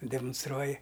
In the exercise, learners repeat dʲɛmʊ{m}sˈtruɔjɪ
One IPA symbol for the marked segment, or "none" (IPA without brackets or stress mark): n